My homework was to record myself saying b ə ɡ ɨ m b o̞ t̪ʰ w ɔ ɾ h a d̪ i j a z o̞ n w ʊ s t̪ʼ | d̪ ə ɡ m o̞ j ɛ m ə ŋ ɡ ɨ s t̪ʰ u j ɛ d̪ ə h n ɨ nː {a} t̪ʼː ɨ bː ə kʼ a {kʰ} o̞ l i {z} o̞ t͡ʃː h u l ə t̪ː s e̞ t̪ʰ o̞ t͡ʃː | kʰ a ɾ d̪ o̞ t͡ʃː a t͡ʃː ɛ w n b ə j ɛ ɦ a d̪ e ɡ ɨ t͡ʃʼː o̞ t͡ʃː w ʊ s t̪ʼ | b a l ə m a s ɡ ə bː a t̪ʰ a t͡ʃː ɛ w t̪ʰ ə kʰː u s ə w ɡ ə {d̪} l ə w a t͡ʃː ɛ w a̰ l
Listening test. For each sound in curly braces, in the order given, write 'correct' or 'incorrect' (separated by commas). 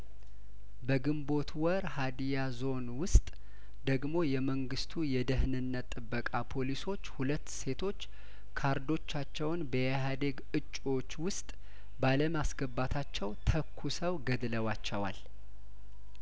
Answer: incorrect, incorrect, incorrect, correct